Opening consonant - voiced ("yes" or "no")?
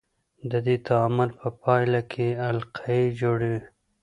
yes